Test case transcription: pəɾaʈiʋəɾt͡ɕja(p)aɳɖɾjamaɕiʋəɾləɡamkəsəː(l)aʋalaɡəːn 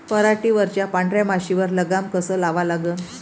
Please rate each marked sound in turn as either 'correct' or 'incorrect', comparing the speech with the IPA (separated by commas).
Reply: correct, correct